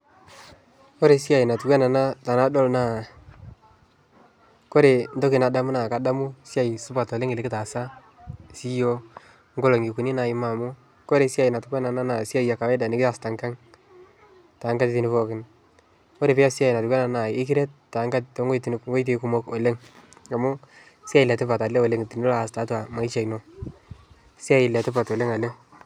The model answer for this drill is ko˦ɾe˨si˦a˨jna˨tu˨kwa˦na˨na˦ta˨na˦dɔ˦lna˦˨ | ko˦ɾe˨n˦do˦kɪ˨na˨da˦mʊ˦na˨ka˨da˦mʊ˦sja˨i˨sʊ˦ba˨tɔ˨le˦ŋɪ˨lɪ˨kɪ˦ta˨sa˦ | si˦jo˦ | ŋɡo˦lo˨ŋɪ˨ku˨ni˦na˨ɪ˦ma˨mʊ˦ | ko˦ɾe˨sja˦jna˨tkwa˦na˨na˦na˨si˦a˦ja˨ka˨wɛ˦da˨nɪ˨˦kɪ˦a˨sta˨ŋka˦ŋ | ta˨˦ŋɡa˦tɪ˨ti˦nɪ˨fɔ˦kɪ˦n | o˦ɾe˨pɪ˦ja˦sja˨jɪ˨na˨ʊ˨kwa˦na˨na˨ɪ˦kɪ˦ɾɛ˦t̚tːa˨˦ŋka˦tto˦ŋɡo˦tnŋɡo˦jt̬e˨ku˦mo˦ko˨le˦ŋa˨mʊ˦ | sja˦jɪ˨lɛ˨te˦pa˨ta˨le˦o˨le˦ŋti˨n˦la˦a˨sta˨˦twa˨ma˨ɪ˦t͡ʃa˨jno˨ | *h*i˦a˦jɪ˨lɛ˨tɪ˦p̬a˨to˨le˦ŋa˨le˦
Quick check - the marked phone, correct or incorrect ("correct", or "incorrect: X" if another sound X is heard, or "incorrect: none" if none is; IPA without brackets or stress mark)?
incorrect: s